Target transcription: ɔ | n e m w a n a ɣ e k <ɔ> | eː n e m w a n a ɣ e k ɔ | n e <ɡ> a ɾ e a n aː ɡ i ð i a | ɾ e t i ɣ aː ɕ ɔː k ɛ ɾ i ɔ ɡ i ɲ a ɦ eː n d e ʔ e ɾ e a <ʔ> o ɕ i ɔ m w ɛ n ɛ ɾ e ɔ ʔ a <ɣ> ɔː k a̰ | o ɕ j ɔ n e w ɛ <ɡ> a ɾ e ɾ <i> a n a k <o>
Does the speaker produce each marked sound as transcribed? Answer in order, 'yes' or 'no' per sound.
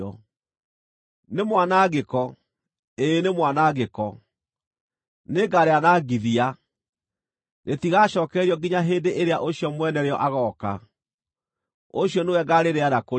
yes, yes, yes, yes, yes, no, yes

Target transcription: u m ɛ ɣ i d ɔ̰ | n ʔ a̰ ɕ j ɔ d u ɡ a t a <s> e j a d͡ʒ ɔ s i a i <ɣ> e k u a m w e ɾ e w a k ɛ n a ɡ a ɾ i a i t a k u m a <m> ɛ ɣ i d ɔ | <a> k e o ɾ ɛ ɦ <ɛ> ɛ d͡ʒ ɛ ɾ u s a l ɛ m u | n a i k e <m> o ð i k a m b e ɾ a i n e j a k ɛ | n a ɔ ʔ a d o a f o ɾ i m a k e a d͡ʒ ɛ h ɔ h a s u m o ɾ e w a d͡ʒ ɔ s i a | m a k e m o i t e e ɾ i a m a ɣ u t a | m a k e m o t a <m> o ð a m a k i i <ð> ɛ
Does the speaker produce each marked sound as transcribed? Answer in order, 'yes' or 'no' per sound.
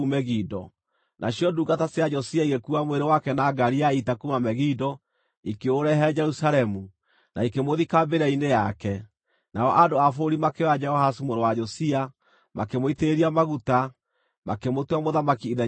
yes, yes, yes, no, yes, yes, yes, yes

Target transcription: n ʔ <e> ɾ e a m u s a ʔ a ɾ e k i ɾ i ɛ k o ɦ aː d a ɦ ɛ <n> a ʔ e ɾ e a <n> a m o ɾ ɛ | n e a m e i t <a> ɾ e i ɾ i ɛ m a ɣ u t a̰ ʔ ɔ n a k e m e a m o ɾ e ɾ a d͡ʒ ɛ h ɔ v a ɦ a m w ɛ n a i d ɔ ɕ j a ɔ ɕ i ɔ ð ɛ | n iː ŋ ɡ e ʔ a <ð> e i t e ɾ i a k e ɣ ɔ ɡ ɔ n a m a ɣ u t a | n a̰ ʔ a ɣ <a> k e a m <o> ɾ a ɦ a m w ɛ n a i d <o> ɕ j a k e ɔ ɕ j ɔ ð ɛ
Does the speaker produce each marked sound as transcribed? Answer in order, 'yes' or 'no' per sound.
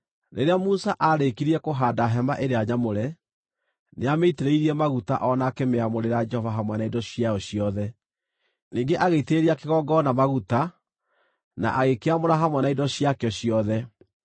yes, no, no, no, no, no, yes, no

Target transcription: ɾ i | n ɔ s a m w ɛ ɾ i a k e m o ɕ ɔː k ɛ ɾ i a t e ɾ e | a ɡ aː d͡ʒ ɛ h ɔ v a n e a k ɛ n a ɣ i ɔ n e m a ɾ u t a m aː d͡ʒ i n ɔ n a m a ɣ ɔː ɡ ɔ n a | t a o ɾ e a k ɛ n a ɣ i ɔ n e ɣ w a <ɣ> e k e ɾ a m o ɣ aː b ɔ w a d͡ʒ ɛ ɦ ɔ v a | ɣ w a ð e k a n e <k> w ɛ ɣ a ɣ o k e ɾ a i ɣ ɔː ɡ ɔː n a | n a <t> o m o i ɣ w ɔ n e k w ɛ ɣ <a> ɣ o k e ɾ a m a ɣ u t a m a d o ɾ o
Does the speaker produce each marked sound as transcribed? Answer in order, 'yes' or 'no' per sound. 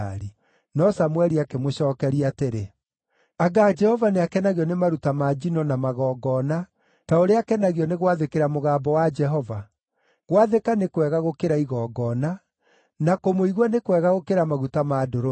no, yes, no, yes

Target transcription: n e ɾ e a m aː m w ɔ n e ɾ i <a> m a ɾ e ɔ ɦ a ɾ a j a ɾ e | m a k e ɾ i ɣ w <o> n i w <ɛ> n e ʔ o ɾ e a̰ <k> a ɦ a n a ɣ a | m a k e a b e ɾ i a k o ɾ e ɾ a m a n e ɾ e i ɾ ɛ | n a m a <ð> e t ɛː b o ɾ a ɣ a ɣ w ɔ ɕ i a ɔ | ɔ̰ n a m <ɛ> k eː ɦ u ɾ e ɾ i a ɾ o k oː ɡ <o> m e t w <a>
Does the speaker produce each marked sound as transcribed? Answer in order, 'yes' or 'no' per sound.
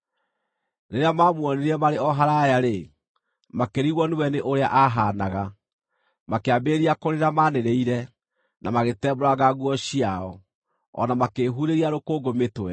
no, no, yes, no, no, no, yes, no

